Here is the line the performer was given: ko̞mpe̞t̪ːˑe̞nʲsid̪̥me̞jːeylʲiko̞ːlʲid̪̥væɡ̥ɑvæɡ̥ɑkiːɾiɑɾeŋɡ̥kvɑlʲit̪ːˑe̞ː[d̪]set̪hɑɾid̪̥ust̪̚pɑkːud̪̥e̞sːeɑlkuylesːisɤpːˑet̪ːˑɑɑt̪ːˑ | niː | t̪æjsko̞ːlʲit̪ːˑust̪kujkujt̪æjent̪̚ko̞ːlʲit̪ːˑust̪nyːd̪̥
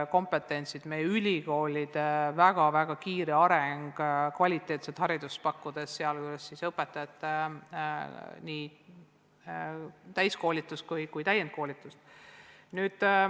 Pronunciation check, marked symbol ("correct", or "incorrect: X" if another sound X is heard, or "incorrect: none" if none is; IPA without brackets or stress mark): incorrect: t̪